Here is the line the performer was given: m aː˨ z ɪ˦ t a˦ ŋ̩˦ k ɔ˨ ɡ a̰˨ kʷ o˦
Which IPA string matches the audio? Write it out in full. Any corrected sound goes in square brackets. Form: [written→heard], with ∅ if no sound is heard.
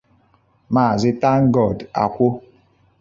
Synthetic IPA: m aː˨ z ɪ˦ t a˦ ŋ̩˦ [k→ɡ] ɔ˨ [ɡ→d] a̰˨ kʷ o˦